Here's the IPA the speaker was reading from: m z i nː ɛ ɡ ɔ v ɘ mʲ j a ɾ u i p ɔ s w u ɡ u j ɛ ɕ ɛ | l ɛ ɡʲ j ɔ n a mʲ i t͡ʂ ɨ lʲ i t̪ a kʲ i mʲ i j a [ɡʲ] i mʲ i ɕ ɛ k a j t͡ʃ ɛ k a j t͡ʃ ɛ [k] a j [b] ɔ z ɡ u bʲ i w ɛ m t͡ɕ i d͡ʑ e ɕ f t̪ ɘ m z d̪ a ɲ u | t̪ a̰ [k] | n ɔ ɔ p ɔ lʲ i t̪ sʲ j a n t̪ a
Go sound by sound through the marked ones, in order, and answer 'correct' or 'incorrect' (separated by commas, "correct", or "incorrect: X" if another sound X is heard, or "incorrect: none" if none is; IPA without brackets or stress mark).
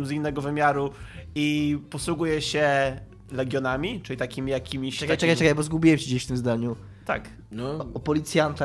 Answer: incorrect: kʲ, correct, correct, correct